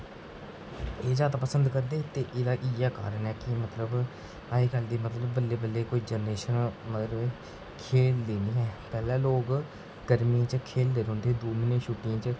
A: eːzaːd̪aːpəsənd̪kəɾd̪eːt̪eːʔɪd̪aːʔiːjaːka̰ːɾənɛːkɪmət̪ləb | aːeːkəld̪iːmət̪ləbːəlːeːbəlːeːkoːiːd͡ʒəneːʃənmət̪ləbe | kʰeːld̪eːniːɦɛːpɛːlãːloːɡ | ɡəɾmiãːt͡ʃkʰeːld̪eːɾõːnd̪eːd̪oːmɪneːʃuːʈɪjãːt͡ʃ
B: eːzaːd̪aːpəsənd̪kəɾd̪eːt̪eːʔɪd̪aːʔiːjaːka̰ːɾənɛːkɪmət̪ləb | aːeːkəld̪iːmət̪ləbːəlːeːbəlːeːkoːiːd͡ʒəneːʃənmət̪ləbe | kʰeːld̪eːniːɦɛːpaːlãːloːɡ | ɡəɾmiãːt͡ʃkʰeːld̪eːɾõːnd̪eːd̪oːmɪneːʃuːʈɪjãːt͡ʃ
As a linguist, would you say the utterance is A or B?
A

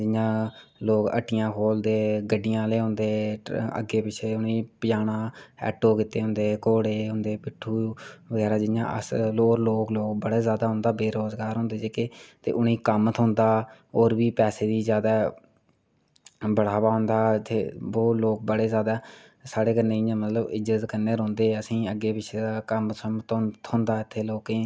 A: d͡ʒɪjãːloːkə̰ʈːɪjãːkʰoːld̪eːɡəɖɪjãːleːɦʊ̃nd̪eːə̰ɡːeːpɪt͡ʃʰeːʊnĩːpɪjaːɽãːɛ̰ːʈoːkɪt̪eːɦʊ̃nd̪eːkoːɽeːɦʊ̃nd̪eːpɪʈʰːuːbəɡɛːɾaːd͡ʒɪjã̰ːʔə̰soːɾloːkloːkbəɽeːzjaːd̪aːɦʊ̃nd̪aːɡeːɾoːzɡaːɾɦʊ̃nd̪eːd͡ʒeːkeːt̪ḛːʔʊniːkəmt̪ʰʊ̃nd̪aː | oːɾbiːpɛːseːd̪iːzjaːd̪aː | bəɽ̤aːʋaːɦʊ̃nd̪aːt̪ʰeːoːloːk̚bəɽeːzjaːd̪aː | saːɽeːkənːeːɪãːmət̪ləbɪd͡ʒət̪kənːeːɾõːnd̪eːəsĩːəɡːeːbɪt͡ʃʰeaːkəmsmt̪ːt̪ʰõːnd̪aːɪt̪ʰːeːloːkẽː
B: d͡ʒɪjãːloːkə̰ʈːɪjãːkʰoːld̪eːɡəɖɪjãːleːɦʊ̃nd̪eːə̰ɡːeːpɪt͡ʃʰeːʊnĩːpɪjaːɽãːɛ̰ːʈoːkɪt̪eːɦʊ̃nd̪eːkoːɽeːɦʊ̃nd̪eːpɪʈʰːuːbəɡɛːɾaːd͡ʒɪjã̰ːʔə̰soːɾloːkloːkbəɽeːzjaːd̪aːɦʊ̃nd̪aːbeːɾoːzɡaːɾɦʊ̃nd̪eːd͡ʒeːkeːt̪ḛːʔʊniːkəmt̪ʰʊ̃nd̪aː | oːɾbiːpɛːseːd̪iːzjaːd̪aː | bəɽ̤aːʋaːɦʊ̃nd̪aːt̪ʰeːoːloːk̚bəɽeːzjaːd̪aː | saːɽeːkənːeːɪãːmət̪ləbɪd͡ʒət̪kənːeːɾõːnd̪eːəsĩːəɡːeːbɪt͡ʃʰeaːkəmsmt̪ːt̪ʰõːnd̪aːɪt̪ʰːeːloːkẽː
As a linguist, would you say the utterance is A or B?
B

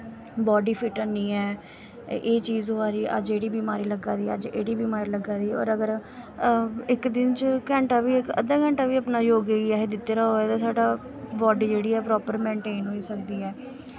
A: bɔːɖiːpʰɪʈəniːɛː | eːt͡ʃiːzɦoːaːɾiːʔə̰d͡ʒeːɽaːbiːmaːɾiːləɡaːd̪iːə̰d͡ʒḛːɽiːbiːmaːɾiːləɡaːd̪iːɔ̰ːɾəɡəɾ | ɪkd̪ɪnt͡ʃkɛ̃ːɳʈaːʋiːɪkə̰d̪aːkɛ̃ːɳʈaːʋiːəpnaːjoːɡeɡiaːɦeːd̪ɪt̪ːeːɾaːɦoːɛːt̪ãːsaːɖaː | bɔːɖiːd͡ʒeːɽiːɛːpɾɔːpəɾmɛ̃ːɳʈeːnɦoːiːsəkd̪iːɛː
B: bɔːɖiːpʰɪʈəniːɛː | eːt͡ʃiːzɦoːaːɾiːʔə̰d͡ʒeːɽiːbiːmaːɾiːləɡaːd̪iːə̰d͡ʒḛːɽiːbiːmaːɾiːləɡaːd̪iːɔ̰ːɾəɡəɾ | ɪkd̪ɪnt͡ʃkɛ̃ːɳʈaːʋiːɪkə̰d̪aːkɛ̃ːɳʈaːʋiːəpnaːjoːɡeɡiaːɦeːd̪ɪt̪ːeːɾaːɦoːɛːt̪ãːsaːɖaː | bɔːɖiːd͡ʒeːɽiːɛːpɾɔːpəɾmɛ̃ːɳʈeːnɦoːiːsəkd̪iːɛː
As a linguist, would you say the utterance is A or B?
B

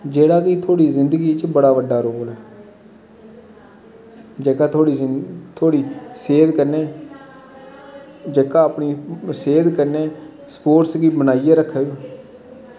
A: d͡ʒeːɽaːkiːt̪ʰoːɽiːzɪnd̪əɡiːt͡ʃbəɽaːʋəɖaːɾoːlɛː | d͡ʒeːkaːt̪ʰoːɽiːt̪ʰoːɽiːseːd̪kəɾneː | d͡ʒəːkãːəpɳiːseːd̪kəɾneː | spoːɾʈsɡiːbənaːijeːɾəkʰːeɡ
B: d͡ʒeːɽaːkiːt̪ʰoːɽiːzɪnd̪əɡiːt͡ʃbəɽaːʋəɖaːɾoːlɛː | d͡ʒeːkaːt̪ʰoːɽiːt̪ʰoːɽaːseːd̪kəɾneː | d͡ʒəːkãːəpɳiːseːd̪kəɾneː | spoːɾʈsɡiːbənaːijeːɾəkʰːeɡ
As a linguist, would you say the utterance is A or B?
A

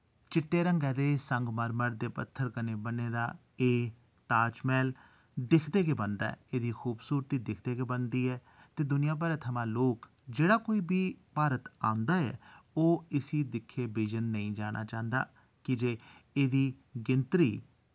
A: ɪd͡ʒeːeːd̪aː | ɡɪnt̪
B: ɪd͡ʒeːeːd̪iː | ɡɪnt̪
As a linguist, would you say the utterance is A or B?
B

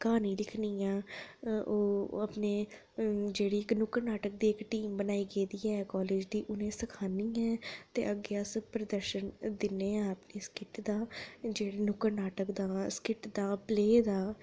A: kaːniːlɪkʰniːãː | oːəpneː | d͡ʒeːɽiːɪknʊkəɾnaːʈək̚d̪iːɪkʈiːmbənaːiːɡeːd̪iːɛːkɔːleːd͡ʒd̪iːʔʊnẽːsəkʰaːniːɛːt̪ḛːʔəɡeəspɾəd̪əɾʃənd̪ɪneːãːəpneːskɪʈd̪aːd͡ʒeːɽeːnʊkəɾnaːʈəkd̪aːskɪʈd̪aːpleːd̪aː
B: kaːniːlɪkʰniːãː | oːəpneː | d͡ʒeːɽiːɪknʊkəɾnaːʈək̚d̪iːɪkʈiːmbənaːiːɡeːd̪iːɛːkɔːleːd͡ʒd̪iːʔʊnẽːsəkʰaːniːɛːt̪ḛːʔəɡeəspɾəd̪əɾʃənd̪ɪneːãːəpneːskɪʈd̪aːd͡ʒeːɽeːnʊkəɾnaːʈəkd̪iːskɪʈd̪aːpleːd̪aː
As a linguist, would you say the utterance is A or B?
A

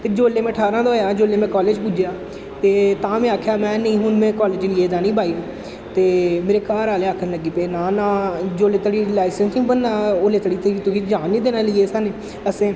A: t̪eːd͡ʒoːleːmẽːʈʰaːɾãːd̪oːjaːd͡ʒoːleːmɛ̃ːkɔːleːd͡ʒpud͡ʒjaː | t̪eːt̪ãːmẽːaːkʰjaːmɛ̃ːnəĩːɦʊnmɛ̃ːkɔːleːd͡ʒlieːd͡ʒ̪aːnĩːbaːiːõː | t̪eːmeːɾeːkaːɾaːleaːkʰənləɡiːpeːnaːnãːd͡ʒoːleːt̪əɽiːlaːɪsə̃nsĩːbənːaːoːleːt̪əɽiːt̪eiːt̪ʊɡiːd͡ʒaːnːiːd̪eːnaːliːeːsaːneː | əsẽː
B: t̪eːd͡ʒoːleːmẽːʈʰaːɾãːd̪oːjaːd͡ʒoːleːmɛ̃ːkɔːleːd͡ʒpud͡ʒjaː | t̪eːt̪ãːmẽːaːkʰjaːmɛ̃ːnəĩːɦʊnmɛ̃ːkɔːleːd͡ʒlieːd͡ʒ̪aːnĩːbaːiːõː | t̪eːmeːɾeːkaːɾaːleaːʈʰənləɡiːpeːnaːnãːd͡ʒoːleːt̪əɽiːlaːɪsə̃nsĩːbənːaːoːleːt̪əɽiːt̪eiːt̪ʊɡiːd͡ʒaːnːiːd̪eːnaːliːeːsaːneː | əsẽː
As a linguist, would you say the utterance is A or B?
A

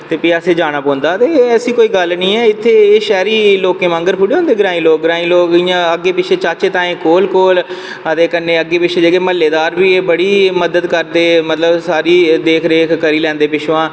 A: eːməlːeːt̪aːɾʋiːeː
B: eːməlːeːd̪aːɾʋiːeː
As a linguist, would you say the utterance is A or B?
B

